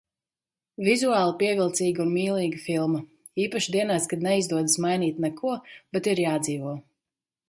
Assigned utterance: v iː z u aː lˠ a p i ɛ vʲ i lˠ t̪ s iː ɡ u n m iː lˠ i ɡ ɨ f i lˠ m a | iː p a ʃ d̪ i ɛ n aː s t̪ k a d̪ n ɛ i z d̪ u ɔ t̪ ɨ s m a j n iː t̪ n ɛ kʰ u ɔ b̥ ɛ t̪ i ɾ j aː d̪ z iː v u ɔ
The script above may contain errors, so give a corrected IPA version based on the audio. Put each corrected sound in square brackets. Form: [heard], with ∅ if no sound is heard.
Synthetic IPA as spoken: v [i] z u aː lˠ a p i ɛ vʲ i lˠ t̪ s iː ɡ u n m iː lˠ [iː] ɡ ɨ f i lˠ m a | iː p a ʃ d̪ i ɛ n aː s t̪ k a d̪ n ɛ i z d̪ u ɔ [d̪] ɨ s m a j n iː t̪ n ɛ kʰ u ɔ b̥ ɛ t̪ i ɾ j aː d̪ z iː v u ɔ